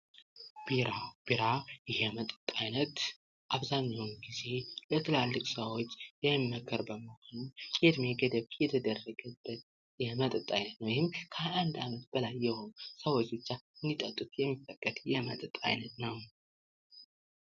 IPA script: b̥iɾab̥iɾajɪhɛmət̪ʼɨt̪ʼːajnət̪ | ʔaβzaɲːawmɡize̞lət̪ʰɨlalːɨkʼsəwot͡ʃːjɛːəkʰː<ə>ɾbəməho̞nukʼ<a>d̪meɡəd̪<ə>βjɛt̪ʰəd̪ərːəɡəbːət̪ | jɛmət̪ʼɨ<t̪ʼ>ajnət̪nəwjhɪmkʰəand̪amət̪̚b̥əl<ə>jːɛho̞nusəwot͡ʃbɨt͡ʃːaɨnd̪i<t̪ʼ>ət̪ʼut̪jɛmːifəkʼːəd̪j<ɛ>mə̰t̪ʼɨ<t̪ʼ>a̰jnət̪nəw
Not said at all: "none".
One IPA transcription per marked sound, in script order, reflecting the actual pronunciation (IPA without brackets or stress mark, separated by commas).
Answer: ə, e, ə, t̪ʼ, a, t̪ʼ, ɛ, t̪ʼ